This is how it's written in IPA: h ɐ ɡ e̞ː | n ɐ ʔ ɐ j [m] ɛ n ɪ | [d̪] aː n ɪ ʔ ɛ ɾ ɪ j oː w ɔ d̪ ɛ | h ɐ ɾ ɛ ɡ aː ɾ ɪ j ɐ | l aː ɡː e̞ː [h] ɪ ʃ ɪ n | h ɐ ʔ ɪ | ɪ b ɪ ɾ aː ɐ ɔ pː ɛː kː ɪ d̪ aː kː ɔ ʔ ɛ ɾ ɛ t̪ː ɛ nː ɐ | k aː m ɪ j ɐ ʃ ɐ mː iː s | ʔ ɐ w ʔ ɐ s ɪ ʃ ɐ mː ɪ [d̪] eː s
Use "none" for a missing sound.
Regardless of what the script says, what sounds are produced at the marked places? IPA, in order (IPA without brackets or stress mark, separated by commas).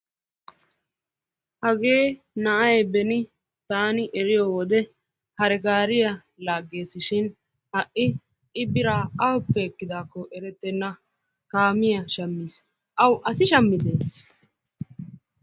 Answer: b, t̪, s, d̪